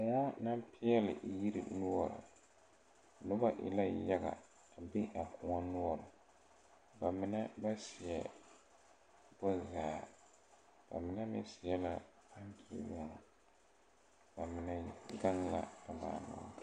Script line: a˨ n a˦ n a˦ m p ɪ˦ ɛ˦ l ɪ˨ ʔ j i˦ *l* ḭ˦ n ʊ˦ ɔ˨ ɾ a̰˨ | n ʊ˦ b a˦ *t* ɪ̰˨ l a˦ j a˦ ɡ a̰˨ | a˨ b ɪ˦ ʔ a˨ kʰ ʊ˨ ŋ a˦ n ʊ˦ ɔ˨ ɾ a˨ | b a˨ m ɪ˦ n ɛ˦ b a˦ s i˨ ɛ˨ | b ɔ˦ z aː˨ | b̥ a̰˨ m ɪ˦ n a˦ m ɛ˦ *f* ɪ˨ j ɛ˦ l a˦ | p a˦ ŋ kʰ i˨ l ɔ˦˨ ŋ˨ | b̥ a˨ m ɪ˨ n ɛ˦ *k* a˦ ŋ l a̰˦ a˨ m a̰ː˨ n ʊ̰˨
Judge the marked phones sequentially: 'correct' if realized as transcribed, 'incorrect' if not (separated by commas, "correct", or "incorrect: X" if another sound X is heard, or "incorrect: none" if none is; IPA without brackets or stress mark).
incorrect: ɾ, incorrect: ʔ, incorrect: s, incorrect: ɡ